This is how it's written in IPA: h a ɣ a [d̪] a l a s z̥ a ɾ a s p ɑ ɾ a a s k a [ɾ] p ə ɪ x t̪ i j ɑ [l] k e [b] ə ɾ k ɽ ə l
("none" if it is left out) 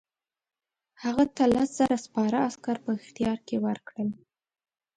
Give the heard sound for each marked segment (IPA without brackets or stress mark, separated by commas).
t̪, ɾ, ɾ, w